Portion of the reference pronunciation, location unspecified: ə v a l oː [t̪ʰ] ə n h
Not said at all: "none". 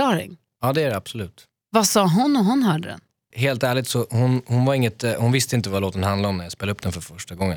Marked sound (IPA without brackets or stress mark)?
t̪